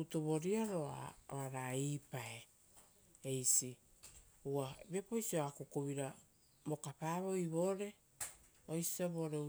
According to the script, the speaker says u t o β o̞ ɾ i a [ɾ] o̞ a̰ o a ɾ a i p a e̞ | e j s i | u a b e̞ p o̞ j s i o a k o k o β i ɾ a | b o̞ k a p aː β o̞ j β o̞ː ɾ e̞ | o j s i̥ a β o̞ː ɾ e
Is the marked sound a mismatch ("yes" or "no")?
no